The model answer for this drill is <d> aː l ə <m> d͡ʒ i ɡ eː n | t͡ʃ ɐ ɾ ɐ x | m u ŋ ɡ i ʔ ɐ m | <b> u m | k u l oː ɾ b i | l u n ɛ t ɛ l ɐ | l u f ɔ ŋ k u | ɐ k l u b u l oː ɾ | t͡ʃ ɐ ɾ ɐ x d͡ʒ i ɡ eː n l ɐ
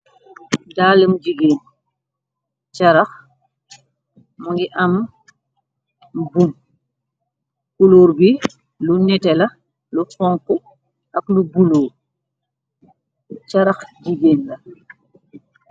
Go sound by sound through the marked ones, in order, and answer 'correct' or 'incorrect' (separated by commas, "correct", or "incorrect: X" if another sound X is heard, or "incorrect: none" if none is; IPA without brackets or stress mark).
correct, correct, correct